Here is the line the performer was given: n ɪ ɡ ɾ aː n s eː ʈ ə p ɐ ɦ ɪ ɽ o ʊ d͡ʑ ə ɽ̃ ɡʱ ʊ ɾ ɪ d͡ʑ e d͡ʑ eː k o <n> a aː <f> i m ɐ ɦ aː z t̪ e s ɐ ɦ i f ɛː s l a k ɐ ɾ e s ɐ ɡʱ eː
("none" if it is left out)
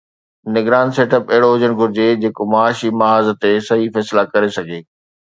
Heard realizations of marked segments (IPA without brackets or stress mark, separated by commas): m, ʃ